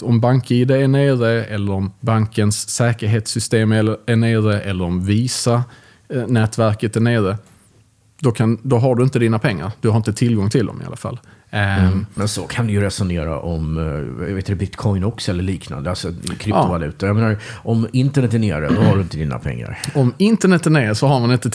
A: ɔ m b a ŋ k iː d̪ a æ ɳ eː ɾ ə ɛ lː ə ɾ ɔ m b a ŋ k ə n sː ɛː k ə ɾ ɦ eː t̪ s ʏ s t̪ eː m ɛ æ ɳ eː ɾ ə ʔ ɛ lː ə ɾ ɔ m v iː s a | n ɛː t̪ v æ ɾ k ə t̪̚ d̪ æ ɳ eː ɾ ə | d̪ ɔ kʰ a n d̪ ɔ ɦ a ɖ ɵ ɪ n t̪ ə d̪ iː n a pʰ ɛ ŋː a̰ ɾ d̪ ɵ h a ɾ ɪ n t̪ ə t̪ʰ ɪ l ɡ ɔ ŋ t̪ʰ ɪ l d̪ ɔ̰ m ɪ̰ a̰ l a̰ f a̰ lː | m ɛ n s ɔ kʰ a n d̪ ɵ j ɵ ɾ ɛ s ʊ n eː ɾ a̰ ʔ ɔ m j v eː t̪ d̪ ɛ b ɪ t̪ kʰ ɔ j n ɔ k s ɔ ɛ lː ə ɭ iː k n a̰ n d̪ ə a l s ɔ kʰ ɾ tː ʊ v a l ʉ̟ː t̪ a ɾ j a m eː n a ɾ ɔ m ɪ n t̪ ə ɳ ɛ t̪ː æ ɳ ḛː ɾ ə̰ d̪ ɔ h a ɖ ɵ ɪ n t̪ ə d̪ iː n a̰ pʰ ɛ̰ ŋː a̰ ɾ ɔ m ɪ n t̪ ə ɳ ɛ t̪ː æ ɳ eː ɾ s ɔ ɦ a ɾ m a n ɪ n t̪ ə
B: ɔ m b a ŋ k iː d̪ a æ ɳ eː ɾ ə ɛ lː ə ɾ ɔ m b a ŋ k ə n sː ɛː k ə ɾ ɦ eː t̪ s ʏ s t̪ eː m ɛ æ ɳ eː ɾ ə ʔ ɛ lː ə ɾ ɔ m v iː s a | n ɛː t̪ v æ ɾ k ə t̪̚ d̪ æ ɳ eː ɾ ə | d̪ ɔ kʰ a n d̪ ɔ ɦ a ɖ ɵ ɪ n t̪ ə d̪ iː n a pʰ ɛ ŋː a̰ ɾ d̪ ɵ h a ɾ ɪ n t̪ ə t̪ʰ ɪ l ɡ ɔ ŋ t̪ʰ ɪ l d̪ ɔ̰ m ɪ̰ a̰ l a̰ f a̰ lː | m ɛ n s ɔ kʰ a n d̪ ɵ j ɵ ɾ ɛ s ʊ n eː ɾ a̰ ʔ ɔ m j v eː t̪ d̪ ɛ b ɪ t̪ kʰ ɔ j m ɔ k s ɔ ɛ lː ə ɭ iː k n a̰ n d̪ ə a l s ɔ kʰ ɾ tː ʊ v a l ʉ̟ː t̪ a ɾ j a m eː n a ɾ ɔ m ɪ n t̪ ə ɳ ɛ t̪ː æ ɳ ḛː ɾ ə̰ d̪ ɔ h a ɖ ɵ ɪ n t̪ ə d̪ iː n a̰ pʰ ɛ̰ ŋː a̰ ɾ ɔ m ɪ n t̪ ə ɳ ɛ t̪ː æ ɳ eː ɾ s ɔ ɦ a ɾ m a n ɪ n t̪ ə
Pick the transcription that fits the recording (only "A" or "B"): A